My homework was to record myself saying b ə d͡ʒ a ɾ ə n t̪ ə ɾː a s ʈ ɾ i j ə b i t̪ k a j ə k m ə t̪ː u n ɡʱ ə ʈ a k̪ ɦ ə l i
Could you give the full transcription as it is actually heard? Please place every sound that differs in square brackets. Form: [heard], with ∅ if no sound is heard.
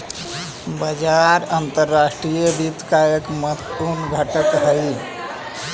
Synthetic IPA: b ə d͡ʒ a ɾ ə n t̪ ə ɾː a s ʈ ɾ i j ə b i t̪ k a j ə k m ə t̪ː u n ɡʱ ə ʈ [ə] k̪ ɦ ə l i